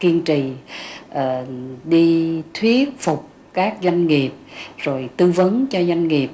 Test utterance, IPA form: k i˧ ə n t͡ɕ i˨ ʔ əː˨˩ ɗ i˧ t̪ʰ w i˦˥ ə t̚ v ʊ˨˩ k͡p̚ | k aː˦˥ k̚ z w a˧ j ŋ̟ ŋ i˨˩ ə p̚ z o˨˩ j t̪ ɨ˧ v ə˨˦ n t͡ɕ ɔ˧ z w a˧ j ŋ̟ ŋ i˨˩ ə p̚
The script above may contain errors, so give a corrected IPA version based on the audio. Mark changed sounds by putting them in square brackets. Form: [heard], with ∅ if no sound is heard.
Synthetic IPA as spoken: k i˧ ə n t͡ɕ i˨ ʔ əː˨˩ ɗ i˧ t̪ʰ w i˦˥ ə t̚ [f] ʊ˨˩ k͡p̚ | k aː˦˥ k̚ z w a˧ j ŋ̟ ŋ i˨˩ ə p̚ z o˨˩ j t̪ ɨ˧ v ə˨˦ n t͡ɕ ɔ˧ z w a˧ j ŋ̟ ŋ i˨˩ ə p̚